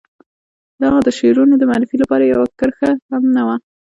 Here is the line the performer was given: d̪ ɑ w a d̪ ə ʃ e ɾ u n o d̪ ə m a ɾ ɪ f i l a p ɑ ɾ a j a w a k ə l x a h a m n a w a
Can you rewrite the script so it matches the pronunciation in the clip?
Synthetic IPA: d̪ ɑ ɣ a d̪ ə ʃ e ɾ u n o d̪ ə m a ɾ ɪ f i l a p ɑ ɾ a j a w a k ə ɾ x a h a m n a w a